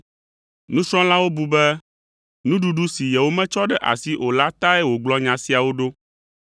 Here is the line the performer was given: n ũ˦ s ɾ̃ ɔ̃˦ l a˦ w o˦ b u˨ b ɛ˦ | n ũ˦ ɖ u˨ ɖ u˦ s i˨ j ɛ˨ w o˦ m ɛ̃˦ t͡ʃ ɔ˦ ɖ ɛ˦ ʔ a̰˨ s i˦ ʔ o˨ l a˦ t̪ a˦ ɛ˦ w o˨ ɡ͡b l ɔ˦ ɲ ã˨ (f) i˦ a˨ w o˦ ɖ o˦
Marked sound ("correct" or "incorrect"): incorrect